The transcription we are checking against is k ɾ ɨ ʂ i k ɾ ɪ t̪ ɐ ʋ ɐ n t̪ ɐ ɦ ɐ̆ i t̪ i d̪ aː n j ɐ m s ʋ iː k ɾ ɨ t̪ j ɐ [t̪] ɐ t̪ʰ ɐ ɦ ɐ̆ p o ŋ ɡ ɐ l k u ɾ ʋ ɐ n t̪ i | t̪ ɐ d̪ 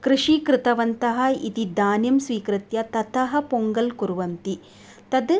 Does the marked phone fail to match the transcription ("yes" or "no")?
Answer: no